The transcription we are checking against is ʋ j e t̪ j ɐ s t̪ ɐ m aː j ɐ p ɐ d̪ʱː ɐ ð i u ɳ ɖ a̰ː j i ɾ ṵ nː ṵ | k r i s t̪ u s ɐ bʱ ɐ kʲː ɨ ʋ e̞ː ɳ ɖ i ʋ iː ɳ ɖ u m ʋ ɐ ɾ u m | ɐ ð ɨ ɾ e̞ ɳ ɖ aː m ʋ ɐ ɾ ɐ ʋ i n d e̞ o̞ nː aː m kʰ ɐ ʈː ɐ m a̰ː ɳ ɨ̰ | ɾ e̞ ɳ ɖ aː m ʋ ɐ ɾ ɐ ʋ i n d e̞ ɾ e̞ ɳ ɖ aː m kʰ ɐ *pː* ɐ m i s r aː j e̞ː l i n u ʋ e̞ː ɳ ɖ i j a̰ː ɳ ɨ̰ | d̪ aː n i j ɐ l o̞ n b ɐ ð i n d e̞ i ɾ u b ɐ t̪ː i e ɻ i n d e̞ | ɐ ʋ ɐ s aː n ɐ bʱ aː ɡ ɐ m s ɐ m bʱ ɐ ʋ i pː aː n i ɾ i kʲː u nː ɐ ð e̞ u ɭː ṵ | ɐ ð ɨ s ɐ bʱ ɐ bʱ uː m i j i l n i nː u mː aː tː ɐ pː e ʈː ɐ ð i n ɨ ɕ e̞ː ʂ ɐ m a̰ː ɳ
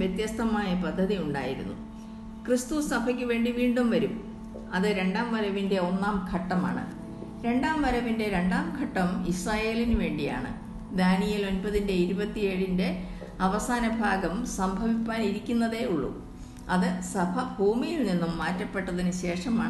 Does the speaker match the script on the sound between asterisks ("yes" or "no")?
no